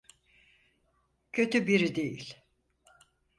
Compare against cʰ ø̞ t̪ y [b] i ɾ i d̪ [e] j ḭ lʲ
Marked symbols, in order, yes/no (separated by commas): yes, yes